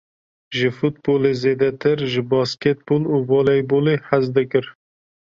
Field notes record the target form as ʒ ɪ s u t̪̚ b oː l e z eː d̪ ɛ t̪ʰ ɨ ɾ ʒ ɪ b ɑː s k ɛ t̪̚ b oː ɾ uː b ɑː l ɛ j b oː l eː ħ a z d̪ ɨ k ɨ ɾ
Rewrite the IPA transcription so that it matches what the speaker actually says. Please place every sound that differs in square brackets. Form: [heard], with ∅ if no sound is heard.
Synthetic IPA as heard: ʒ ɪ [f] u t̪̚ b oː l e z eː d̪ ɛ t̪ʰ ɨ ɾ ʒ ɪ b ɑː s k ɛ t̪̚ b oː [l] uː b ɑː l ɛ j b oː l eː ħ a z d̪ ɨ k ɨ ɾ